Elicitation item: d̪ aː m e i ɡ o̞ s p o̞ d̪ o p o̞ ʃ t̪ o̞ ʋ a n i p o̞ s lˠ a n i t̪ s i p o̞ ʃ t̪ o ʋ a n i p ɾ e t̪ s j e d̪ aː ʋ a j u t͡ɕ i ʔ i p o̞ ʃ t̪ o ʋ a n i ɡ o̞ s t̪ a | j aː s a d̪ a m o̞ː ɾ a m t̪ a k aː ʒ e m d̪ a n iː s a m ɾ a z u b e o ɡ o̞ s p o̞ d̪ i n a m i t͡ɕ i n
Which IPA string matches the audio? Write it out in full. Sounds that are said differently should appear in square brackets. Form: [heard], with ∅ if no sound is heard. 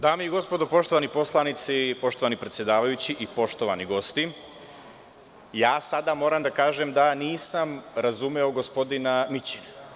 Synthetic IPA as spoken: d̪ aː m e i ɡ o̞ s p o̞ d̪ o p o̞ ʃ t̪ o̞ ʋ a n i p o̞ s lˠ a n i t̪ s i p o̞ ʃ t̪ o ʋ a n i p ɾ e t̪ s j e d̪ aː ʋ a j u t͡ɕ i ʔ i p o̞ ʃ t̪ o ʋ a n i ɡ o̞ s t̪ [i] | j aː s a d̪ a m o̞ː ɾ a m [d̪] a k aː ʒ e m d̪ a n iː s a m ɾ a z u [m] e o ɡ o̞ s p o̞ d̪ i n a m i t͡ɕ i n

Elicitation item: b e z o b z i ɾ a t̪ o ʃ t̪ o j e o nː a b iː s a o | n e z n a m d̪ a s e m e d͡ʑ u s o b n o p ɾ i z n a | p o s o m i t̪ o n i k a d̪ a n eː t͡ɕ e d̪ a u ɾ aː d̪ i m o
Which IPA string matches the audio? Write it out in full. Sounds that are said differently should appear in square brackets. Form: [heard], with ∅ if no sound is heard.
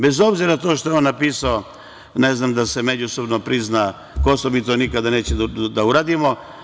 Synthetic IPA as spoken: b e z o b z i ɾ a t̪ o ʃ t̪ o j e o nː a [p] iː s a o | n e z n a m d̪ a s e m e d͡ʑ u s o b n o p ɾ i z n a | [k] o s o m i t̪ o n i k a d̪ a n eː t͡ɕ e d̪ a u ɾ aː d̪ i m o

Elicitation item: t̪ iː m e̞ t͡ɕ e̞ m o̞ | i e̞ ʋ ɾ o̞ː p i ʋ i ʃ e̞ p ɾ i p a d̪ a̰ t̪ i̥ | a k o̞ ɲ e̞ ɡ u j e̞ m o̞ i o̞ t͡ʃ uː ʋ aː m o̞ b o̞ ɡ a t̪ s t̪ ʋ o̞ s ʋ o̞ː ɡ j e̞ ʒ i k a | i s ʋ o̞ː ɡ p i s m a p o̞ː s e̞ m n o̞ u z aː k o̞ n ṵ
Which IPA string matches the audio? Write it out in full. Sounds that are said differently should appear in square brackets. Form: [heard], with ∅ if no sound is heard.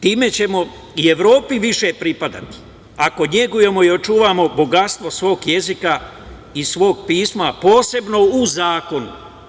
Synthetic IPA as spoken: t̪ iː m e̞ t͡ɕ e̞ m o̞ | i e̞ ʋ ɾ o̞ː p i ʋ i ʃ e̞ p ɾ i p a d̪ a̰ t̪ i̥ | a k o̞ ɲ e̞ ɡ u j e̞ m o̞ i o̞ t͡ʃ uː ʋ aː m o̞ b o̞ ɡ a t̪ s t̪ ʋ o̞ s ʋ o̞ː ɡ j e̞ [z] i k a | i s ʋ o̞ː ɡ p [iː] s m a p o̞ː s e̞ [b] n o̞ u z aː k o̞ n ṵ

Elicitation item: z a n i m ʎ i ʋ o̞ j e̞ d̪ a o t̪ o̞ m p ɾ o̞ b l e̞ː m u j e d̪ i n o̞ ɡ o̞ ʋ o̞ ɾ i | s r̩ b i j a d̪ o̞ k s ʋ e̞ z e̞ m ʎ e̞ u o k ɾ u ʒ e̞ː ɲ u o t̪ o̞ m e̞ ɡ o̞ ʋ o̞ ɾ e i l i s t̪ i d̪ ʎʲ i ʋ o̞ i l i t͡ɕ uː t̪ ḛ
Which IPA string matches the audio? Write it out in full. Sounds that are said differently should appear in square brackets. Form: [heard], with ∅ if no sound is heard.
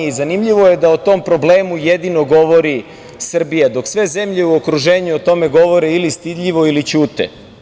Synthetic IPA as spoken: z a n i m ʎ i ʋ o̞ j e̞ d̪ a o t̪ o̞ m p ɾ o̞ b l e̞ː m u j e d̪ i n o̞ ɡ o̞ ʋ o̞ ɾ i | s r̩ b i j a d̪ o̞ k s ʋ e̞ z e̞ m ʎ e̞ u o k ɾ u ʒ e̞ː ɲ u o t̪ o̞ m e̞ ɡ o̞ ʋ o̞ ɾ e i l i s t̪ i d̪ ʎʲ i ʋ o̞ i l i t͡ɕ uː t̪ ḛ

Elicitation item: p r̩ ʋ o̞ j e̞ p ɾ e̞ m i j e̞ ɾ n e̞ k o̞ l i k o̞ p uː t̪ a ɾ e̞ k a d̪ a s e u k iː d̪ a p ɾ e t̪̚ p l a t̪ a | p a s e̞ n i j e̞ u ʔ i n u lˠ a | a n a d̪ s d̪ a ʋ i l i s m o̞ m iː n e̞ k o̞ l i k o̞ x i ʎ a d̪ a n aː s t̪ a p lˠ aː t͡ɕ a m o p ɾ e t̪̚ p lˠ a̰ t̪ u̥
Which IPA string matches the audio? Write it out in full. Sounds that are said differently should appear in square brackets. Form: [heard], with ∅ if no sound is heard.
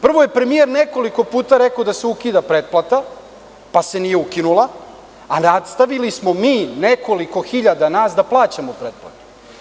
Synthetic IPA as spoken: p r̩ ʋ o̞ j e̞ p ɾ e̞ m i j e̞ ɾ n e̞ k o̞ l i k o̞ p uː t̪ a ɾ e̞ k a d̪ a s e u k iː d̪ a p ɾ e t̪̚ p l a t̪ a | p a s e̞ n i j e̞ u [k] i n u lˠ a | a n a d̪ s [t̪] a ʋ i l i s m o̞ m iː n e̞ k o̞ l i k o̞ x i ʎ a d̪ a n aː s [d̪] a p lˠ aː t͡ɕ a m o p ɾ e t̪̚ p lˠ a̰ t̪ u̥

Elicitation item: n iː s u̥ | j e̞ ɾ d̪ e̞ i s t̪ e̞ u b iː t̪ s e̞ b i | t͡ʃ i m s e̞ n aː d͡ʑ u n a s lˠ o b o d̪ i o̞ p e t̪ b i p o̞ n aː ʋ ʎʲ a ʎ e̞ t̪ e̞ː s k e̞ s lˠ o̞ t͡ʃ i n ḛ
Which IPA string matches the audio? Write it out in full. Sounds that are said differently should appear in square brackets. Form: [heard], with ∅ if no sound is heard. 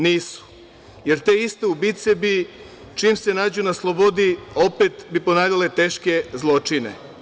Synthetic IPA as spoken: n iː s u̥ | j e̞ ɾ [t̪] e̞ i s t̪ e̞ u b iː t̪ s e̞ b i | t͡ʃ i m s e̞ n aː d͡ʑ u n a s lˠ o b o d̪ i o̞ p e t̪ b i p o̞ n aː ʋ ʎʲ a [l] e̞ t̪ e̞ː [ʃ] k e̞ [z] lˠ o̞ t͡ʃ i n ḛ

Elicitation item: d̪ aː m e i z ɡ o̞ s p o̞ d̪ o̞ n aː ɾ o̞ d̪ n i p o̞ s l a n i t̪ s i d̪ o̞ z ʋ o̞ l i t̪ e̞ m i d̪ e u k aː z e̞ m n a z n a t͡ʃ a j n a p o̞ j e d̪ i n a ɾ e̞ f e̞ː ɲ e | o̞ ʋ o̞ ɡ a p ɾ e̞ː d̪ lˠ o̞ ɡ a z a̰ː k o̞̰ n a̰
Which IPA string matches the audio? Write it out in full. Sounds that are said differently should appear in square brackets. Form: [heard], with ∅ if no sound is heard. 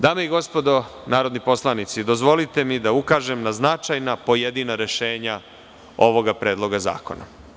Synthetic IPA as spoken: d̪ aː m e i [∅] ɡ o̞ s p o̞ d̪ o̞ n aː ɾ o̞ d̪ n i p o̞ s l a n i t̪ s i d̪ o̞ z ʋ o̞ l i t̪ e̞ m i d̪ [a] u k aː [ʒ] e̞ m n a z n a t͡ʃ a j n a p o̞ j e d̪ i n a ɾ e̞ [ʃ] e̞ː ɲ [a] | o̞ ʋ o̞ ɡ a p ɾ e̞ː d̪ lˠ o̞ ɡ a z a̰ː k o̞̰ n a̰

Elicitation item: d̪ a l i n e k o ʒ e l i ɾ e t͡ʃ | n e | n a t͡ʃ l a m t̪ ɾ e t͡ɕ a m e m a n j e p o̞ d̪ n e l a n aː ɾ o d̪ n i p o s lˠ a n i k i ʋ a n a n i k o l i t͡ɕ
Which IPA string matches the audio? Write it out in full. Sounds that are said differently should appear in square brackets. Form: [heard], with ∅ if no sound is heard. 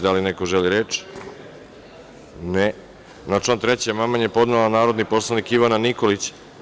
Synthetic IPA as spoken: d̪ a l i n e k o ʒ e l i ɾ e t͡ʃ | n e | n a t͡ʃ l a [n] t̪ ɾ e t͡ɕ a m [a] m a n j e p o̞ d̪ n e l a n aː ɾ o d̪ n i p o s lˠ a n i k i ʋ a n a n i k o l i t͡ɕ

